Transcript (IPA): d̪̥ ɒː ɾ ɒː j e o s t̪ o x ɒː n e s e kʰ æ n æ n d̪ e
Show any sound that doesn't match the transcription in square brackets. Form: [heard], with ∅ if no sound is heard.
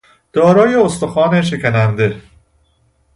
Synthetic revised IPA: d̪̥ ɒː ɾ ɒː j e o s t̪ o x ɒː n e [ʃ] e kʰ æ n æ n d̪ e